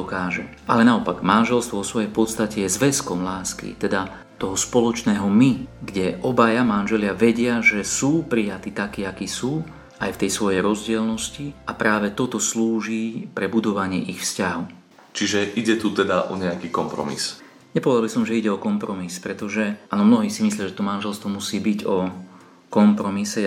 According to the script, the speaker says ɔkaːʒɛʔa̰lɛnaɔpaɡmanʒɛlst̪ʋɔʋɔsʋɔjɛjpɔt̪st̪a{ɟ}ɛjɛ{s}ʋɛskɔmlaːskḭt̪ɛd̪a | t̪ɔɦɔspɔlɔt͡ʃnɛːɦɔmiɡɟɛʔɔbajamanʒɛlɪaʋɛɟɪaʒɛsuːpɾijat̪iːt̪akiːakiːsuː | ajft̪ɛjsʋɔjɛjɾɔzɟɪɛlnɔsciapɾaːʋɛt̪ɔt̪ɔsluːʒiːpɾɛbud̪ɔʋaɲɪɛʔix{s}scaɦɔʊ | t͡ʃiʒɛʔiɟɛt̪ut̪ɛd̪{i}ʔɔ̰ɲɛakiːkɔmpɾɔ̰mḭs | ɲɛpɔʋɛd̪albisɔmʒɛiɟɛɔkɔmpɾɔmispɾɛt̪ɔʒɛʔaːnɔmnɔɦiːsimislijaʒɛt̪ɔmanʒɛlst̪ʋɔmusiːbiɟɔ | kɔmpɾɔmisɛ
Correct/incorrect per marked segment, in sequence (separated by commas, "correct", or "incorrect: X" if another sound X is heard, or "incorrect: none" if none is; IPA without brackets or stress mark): incorrect: c, incorrect: z, incorrect: f, incorrect: a